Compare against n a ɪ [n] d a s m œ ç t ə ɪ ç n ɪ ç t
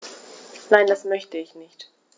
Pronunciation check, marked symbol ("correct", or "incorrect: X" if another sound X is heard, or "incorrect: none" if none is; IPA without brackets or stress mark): correct